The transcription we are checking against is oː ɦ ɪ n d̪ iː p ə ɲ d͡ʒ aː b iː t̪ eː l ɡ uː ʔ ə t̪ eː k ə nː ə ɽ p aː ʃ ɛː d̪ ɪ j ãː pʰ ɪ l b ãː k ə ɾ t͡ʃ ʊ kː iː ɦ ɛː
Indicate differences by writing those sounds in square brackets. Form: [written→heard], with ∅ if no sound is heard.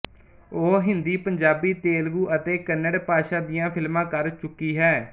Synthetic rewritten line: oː ɦ ɪ n d̪ iː p ə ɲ d͡ʒ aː b iː t̪ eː l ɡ uː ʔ ə t̪ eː k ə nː ə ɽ p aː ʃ [ɛː→aː] d̪ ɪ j ãː pʰ ɪ l [b→m] ãː k ə ɾ t͡ʃ ʊ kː iː ɦ ɛː